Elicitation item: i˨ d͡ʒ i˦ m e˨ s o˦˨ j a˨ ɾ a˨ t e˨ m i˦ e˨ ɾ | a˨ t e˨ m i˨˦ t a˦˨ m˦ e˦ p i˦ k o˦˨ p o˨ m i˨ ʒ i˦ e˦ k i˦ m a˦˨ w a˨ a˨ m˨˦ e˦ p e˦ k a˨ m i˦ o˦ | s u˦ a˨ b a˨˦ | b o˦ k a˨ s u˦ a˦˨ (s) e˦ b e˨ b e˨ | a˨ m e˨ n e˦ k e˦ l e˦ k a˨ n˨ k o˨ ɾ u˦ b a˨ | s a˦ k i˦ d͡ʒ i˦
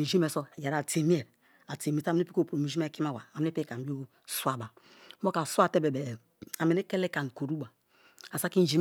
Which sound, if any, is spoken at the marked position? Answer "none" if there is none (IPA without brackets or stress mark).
t